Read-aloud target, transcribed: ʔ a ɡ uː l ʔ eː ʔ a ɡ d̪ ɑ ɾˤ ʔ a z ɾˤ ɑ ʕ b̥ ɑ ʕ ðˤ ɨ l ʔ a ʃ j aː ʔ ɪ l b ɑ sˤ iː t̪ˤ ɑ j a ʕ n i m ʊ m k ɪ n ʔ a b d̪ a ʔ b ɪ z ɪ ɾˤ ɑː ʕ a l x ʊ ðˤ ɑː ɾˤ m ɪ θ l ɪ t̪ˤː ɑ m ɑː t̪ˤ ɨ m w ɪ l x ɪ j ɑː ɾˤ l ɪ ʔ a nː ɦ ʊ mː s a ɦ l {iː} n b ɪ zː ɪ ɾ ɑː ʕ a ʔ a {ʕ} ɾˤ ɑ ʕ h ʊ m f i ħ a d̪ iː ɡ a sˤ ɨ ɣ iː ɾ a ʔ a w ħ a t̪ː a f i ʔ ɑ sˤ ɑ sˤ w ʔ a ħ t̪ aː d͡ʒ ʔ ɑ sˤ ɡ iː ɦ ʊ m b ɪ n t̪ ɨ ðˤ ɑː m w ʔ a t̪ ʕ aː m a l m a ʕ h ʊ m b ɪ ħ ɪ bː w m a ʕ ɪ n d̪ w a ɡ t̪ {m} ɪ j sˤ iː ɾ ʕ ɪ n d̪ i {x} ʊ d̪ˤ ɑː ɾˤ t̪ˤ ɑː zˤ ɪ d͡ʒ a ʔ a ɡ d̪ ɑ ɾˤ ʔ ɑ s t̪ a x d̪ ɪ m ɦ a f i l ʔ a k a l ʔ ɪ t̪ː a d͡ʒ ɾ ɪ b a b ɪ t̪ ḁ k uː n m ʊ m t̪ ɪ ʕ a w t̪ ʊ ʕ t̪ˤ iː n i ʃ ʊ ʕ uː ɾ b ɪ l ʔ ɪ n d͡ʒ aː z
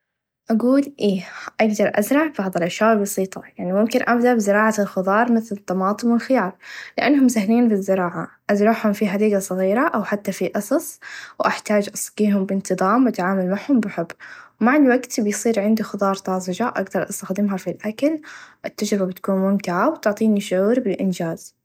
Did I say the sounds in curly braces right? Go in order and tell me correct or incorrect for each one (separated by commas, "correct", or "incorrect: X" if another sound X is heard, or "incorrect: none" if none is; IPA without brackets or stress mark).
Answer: correct, incorrect: z, incorrect: b, correct